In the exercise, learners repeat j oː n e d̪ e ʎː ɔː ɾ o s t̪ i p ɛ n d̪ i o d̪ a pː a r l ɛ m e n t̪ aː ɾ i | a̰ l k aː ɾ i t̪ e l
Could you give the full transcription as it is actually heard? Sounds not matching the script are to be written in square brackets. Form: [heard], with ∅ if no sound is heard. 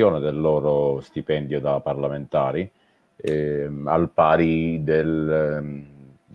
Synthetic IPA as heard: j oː n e d̪ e [lː] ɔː ɾ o s t̪ i p ɛ n d̪ [j] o d̪ a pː a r l [a] m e n t̪ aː ɾ i | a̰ l [p] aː ɾ i [d̪] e l

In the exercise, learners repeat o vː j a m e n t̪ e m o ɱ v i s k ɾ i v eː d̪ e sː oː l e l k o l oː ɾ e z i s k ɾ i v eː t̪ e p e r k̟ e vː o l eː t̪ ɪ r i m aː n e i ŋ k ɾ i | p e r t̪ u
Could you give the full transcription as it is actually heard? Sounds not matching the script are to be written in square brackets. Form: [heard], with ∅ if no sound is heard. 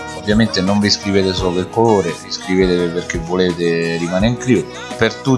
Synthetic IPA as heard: o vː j a m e n t̪ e [n] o ɱ v i s k ɾ i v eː [t̪] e [s] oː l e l k o l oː ɾ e [v] i s k ɾ i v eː t̪ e p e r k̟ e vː o l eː t̪ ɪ r i m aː n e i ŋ k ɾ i | p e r t̪ u

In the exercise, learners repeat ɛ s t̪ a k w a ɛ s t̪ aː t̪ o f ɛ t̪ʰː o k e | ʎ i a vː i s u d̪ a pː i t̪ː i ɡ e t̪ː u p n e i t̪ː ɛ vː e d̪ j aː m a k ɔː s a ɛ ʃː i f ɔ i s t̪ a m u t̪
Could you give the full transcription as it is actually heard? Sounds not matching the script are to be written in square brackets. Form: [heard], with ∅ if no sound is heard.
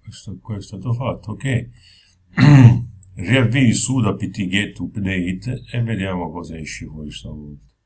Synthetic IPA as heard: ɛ s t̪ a k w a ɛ s t̪ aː t̪ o f [a] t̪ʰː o k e | [r] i a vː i s u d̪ a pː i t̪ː i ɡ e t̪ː u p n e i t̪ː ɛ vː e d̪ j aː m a k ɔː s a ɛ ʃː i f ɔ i s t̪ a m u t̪

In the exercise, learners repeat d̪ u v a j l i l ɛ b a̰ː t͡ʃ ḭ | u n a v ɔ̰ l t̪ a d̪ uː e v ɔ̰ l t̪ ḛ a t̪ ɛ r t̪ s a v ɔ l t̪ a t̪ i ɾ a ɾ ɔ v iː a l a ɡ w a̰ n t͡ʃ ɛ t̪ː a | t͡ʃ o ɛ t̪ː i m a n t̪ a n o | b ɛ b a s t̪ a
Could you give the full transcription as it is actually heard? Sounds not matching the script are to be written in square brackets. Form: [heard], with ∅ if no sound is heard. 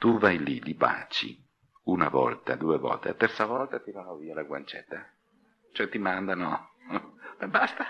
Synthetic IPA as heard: [t̪] u v a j l i l [i] b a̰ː t͡ʃ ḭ | u n a v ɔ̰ l t̪ a d̪ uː e v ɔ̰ l t̪ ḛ a t̪ ɛ r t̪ s a v ɔ l t̪ a t̪ i ɾ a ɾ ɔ v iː a l a ɡ w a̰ n t͡ʃ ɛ t̪ː a | t͡ʃ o ɛ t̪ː i m a n [d̪] a n o | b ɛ b a s t̪ a

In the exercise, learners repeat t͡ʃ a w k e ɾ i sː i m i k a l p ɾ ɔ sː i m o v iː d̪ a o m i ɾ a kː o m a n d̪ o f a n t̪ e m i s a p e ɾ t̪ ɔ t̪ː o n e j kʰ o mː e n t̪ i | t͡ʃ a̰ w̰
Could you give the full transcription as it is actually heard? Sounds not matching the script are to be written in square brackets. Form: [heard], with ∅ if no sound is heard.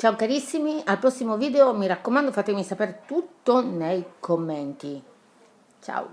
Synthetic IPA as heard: t͡ʃ a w k [a] ɾ i sː i m i [∅] a l p ɾ ɔ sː i m o v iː d̪ [e] o m i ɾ a kː o m a n d̪ o f a [∅] t̪ e m i s a p e ɾ t̪ [u] t̪ː o n e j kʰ o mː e n t̪ i | t͡ʃ a̰ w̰

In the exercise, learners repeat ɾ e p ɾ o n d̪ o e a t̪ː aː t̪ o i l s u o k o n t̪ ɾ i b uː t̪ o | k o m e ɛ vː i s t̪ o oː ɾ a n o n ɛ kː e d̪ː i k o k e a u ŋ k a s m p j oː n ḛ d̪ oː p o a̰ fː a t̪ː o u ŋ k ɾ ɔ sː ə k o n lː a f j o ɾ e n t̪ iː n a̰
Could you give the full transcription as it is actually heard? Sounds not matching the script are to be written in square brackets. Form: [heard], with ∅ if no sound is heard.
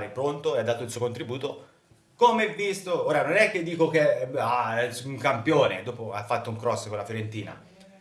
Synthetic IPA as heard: ɾ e p ɾ o n [t̪] o e a [d̪ː] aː t̪ o i l s u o k o n t̪ ɾ i b uː t̪ o | k o m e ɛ vː i s t̪ o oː ɾ a n o n ɛ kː e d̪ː [iː] k o k e a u ŋ k a [∅] m p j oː n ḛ d̪ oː p o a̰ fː a t̪ː o u ŋ k ɾ ɔ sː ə k o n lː a f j o ɾ e n t̪ iː n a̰

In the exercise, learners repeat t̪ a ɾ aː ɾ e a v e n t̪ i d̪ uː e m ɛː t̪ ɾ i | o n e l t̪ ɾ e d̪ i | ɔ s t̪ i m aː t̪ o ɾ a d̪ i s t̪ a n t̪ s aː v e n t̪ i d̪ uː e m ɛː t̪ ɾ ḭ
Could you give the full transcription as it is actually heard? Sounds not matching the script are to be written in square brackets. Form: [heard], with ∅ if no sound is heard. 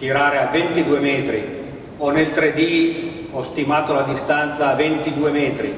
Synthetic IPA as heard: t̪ [i] ɾ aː ɾ e a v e n t̪ i d̪ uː e m ɛː t̪ ɾ i | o n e l t̪ ɾ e d̪ i | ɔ s t̪ i m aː t̪ o [l] a d̪ i s t̪ a n t̪ s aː v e n t̪ i d̪ uː e m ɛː t̪ ɾ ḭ

